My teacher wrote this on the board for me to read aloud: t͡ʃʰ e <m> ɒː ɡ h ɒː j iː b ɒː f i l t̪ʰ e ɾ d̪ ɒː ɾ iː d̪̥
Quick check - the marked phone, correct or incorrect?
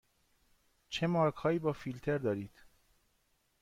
correct